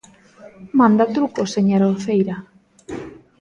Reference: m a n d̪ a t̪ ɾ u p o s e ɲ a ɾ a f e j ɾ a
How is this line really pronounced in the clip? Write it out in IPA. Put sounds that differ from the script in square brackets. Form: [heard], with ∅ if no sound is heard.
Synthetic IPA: m a n d̪ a t̪ ɾ u [k] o s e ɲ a ɾ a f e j ɾ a